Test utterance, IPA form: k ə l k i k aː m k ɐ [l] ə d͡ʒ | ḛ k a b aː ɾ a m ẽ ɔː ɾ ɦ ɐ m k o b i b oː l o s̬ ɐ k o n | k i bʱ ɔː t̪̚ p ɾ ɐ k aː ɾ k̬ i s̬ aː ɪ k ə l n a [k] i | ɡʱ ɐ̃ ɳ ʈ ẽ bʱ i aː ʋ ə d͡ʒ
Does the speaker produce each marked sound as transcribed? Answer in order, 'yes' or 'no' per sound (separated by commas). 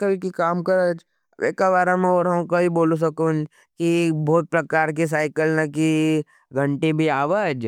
no, yes